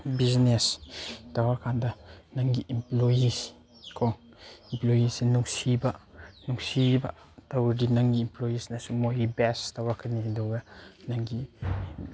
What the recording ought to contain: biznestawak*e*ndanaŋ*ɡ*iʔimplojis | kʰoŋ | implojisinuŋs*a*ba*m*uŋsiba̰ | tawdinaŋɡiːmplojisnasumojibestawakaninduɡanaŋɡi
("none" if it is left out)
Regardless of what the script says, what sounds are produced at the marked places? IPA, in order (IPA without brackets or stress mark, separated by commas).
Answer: a, ɡ, i, n